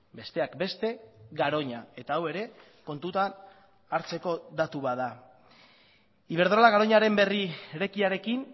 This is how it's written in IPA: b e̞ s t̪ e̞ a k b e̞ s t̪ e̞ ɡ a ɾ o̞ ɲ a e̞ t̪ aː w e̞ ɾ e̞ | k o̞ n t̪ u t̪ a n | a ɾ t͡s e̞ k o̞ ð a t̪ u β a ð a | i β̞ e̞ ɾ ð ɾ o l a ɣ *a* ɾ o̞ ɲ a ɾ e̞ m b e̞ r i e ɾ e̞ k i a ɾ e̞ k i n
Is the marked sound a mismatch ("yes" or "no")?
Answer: no